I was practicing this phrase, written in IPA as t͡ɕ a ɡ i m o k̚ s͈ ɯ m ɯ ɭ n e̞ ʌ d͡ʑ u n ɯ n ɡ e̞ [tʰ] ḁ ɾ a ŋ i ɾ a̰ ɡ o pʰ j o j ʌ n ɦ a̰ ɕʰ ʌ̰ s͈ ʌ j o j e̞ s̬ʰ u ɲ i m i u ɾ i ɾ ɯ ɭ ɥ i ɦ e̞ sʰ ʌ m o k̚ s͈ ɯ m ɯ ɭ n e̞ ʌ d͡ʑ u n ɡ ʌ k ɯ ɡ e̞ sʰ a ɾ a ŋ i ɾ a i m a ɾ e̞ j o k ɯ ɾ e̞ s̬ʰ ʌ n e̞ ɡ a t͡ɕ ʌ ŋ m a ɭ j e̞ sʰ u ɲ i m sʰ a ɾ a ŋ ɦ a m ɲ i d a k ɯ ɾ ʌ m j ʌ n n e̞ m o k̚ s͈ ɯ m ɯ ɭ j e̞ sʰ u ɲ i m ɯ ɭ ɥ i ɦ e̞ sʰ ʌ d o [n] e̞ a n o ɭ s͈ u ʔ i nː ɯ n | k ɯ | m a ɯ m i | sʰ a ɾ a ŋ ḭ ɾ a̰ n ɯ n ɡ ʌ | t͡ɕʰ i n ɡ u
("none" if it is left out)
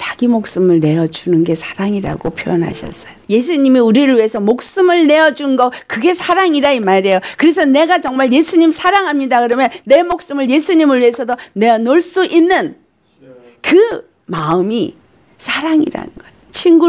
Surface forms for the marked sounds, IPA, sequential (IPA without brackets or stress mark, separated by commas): sʰ, n